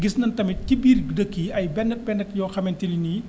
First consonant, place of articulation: velar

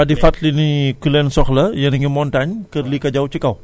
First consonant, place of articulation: alveolar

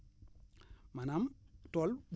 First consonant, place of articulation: labial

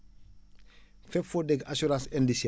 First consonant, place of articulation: labial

